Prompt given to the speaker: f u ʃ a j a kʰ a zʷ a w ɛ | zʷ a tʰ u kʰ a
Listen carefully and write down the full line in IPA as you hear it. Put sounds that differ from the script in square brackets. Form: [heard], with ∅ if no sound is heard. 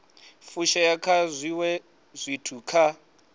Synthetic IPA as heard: f u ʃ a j a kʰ a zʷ [i] w ɛ | zʷ [i] tʰ u kʰ a